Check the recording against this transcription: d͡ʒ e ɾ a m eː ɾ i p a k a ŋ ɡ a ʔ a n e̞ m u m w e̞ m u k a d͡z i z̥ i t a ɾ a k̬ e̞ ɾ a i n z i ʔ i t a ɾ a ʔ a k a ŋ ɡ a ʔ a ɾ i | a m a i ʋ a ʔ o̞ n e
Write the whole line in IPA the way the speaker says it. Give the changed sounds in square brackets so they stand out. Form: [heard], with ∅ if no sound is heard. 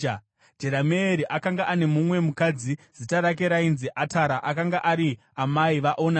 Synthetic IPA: d͡ʒ e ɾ a m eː ɾ i [ʔ] a k a ŋ ɡ a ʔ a n e̞ m u m w e̞ m u k a d͡z i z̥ i t a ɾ a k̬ e̞ ɾ a i n z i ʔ [a] t a ɾ a ʔ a k a ŋ ɡ a ʔ a ɾ i | a m a i ʋ a ʔ o̞ n [a]